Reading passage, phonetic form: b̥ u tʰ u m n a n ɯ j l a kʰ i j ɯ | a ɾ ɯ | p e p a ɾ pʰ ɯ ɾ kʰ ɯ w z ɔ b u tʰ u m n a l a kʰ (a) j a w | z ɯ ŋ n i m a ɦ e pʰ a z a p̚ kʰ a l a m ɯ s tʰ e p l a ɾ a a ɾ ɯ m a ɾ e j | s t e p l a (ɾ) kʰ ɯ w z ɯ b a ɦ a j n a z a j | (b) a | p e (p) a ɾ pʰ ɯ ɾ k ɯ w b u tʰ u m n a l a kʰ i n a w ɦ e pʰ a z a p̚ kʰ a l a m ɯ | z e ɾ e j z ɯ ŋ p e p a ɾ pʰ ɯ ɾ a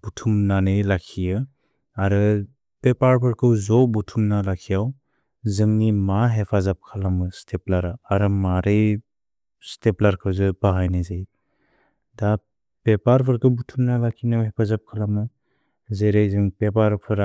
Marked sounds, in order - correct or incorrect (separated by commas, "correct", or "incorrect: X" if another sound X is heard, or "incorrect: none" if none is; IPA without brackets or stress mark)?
incorrect: i, correct, incorrect: d, correct